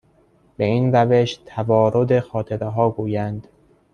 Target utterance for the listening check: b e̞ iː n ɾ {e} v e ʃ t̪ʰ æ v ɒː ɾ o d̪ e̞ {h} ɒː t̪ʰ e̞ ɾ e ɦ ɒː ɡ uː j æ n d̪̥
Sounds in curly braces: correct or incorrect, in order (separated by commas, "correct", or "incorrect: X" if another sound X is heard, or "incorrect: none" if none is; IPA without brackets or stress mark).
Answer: incorrect: æ, incorrect: x